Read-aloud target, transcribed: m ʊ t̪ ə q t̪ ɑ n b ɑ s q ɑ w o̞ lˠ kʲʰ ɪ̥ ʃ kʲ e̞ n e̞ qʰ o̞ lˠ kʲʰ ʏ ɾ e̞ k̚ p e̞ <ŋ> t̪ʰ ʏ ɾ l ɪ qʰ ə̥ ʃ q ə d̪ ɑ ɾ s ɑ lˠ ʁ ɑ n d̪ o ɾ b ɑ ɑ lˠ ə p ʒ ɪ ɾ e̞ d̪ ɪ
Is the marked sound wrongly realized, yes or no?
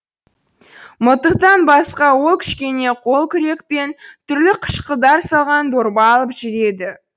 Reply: yes